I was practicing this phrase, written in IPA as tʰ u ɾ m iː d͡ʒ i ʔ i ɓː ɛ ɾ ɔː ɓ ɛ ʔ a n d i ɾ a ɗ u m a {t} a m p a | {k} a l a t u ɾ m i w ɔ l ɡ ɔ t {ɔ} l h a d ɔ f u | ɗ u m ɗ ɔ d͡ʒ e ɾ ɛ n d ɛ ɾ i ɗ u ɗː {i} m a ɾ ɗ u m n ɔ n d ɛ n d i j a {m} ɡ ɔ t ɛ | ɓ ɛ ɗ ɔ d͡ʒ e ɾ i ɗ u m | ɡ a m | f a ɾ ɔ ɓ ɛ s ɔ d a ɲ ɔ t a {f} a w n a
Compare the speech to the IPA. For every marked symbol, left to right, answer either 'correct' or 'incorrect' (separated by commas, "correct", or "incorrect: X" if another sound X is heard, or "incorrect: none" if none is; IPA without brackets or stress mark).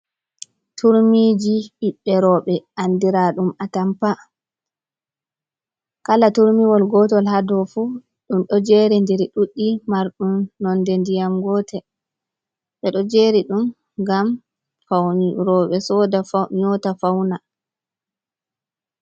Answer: correct, correct, correct, correct, correct, correct